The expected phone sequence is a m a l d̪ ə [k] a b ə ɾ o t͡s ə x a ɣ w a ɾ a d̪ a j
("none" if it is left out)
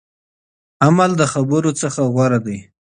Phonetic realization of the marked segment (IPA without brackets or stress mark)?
x